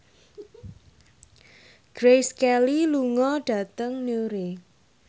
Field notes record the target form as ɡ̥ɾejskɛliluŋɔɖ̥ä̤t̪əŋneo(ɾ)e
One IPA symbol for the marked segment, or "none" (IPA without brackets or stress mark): ɾ